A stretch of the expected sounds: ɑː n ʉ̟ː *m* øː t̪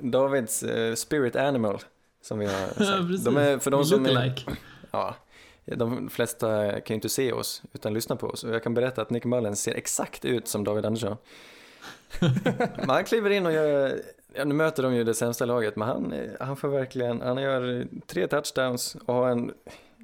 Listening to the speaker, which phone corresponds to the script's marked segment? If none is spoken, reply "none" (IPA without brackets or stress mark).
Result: m